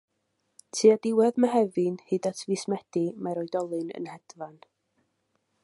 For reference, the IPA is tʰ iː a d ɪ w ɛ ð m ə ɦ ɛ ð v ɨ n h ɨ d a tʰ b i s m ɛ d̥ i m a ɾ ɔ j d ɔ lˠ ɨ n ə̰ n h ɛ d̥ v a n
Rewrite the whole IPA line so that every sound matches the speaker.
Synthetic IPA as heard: tʰ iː a d ɪ w ɛ ð m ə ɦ ɛ v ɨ n h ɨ d a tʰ v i s m ɛ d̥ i m a ɾ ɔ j d ɔ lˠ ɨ n ə̰ n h ɛ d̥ v a n